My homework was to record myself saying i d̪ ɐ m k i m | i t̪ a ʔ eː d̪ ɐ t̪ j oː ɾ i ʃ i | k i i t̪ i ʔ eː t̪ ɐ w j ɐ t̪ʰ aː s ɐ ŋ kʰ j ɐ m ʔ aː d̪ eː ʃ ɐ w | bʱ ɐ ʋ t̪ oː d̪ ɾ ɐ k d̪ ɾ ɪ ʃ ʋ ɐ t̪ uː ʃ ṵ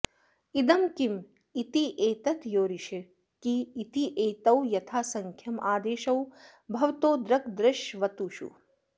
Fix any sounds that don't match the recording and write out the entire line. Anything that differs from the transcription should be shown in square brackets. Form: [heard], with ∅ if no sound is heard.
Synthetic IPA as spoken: i d̪ ɐ m k i m | i t̪ [i] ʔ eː [t̪] ɐ t̪ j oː ɾ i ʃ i | k i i t̪ i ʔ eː t̪ ɐ w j ɐ t̪ʰ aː s ɐ ŋ kʰ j ɐ m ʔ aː d̪ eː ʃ ɐ w | bʱ ɐ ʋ t̪ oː d̪ ɾ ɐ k d̪ ɾ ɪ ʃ ʋ ɐ t̪ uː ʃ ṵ